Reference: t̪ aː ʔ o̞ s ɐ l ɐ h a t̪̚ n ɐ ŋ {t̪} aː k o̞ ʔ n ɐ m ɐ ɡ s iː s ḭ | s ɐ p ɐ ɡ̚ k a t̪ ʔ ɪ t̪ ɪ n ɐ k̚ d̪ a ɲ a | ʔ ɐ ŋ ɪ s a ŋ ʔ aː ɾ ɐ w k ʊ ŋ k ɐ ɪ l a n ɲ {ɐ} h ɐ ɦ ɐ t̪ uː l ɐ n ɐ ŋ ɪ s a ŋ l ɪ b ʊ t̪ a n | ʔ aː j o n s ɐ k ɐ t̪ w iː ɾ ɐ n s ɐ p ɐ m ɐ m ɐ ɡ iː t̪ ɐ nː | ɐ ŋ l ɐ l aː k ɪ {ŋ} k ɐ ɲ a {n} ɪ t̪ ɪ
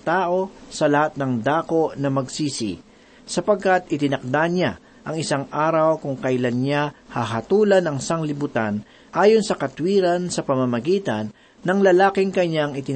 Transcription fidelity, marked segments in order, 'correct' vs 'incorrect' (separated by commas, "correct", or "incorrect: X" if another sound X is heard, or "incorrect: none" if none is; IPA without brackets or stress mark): incorrect: d̪, incorrect: a, correct, incorrect: ŋ